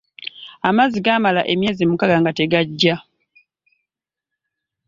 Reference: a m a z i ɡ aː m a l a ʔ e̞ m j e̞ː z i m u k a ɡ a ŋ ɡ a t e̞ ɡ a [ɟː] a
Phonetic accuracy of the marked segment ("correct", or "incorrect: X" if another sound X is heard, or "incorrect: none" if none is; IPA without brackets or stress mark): correct